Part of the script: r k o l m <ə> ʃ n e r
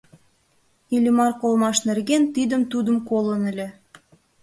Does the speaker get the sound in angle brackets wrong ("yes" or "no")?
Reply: yes